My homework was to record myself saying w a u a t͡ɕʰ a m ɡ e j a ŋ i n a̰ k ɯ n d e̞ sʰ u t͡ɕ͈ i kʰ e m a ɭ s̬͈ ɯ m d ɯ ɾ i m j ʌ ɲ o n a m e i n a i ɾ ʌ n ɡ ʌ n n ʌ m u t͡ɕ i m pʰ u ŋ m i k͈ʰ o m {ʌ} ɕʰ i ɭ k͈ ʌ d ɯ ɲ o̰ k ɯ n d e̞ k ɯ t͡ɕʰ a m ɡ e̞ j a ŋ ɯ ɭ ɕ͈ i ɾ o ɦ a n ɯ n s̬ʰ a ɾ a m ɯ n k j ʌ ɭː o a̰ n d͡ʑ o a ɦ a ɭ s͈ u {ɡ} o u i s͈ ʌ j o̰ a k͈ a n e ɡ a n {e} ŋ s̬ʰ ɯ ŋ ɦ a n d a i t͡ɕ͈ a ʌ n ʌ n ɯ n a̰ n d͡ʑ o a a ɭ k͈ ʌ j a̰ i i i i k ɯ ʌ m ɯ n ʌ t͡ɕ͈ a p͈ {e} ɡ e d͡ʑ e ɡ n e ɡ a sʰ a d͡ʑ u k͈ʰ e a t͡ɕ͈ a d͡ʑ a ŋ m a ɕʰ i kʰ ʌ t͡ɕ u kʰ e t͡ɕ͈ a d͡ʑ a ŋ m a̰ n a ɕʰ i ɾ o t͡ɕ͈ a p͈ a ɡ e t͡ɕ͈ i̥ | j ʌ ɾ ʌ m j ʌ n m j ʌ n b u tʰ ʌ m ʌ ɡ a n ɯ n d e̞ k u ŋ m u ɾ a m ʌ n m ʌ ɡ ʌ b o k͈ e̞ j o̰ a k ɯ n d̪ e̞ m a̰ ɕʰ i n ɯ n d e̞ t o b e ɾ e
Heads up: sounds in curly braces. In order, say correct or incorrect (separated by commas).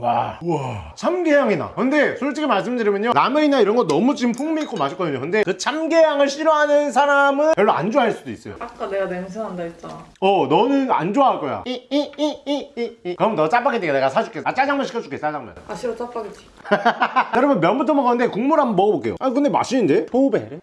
incorrect, incorrect, correct, incorrect